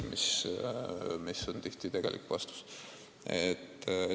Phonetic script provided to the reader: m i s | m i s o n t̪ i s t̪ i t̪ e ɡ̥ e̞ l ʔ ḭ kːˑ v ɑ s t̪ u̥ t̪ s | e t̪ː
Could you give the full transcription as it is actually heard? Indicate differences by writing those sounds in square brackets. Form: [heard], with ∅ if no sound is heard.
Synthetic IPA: m i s | m i s o n t̪ i [h] t̪ i t̪ e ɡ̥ e̞ l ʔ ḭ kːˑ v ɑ s t̪ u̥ [∅] s | e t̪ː